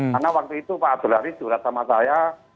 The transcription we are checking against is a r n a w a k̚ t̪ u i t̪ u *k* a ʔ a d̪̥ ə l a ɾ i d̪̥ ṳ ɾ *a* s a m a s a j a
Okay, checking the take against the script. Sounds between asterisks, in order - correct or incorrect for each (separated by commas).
incorrect, correct